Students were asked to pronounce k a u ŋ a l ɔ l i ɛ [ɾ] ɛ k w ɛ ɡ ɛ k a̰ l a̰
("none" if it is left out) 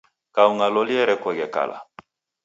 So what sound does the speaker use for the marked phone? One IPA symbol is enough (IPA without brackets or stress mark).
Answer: ɾ